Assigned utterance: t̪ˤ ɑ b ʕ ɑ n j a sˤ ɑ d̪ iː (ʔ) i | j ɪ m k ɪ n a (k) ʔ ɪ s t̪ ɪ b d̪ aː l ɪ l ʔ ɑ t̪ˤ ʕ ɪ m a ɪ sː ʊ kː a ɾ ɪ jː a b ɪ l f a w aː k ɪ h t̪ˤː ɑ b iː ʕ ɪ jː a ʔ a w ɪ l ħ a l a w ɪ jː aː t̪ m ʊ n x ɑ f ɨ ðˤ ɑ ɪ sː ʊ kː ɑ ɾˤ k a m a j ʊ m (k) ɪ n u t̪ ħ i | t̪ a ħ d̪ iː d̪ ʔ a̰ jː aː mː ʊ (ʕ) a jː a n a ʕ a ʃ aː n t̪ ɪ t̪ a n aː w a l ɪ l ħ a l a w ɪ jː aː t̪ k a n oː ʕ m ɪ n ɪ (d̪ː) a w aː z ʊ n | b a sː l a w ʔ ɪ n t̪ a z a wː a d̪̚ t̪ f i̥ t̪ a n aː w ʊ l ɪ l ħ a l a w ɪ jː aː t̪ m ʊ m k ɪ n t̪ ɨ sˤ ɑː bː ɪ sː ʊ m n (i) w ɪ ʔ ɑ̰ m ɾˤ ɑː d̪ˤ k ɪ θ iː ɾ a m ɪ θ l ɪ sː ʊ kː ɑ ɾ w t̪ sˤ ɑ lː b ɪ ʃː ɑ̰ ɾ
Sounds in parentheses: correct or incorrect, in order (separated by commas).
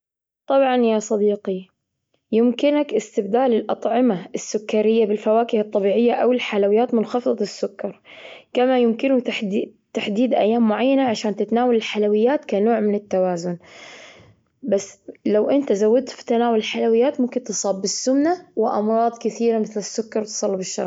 incorrect, correct, correct, correct, incorrect, incorrect